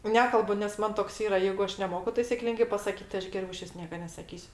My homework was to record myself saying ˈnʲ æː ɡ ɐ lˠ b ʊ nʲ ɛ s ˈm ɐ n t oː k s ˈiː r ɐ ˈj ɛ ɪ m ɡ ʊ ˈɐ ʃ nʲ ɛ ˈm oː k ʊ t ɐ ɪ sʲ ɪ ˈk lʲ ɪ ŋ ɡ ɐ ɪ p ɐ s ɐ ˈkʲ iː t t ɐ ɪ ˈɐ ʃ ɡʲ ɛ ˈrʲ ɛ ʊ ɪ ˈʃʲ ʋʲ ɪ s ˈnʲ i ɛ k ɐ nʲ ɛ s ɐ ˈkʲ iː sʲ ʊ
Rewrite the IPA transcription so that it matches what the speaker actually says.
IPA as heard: ˈnʲ æː k ɐ lˠ b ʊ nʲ ɛ s ˈm ɐ n t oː k s ˈiː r ɐ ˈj ɛ ɪ ɡ ʊ ˈɐ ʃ nʲ ɛ ˈm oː k ʊ t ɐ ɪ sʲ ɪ ˈk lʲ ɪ ŋ ɡ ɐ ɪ p ɐ s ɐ ˈkʲ iː t t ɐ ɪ ˈɐ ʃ ɡʲ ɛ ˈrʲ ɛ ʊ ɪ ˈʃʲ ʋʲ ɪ s ˈnʲ i ɛ k ɐ nʲ ɛ s ɐ ˈkʲ iː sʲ ʊ